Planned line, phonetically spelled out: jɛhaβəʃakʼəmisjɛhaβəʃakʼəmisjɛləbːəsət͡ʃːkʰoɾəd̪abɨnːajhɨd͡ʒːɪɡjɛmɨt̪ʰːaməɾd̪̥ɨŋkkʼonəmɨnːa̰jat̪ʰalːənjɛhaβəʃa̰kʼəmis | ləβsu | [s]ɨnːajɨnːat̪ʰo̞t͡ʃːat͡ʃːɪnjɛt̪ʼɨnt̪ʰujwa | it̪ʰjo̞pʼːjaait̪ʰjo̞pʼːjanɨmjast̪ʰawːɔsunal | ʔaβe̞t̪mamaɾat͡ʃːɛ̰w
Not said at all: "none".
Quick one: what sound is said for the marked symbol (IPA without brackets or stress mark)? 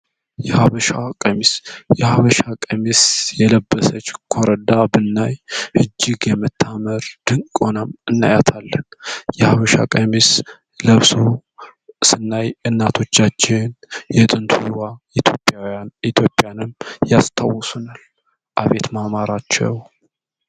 s